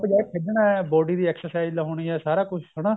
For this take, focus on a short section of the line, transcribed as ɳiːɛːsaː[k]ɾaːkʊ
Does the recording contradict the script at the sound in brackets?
yes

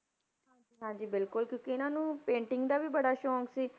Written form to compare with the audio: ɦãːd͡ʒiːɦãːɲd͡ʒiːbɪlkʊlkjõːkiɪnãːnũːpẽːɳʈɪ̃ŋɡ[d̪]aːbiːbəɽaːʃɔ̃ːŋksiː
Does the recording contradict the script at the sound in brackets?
no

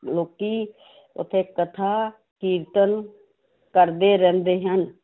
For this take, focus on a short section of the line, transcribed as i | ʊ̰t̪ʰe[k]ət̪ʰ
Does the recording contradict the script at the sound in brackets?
no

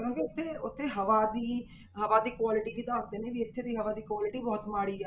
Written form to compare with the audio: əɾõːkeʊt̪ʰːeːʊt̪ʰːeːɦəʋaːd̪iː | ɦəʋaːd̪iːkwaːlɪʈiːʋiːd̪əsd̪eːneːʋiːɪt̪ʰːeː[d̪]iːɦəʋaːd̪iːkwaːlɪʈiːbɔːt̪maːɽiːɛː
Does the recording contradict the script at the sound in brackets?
no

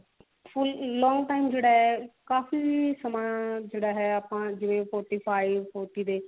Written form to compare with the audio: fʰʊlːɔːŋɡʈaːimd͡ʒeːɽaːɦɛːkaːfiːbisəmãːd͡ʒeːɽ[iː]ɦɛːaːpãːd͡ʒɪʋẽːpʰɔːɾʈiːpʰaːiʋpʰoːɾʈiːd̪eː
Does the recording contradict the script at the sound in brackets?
yes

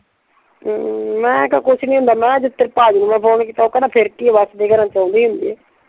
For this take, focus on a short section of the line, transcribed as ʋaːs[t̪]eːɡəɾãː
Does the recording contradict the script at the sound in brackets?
yes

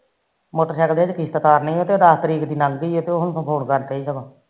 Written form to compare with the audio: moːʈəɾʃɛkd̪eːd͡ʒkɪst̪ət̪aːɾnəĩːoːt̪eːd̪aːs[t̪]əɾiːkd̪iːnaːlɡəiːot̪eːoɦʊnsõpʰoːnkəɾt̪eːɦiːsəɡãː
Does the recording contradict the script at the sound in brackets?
no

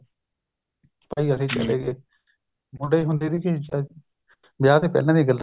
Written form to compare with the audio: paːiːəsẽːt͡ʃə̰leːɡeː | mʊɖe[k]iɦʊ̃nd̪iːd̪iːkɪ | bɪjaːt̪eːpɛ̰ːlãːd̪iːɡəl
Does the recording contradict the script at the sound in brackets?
yes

